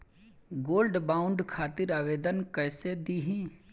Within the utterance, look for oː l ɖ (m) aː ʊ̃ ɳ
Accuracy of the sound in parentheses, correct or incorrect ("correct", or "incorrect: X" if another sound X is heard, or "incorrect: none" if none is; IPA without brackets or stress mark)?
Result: incorrect: b